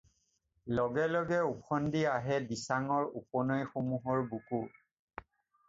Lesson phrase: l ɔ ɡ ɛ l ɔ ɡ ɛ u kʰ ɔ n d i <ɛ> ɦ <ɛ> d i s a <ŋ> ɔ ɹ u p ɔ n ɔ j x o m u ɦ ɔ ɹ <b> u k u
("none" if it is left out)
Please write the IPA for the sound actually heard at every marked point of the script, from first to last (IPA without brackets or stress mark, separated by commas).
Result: a, ɛ, ŋ, b